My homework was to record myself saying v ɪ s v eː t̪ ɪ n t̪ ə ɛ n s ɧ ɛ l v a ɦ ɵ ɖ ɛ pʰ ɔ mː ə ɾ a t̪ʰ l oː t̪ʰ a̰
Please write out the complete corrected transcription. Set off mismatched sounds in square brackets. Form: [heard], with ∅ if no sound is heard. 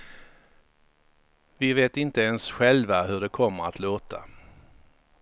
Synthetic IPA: v ɪ [∅] v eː t̪ ɪ n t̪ ə ɛ n s ɧ ɛ l v a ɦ ɵ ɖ ɛ [kʰ] ɔ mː ə ɾ a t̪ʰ l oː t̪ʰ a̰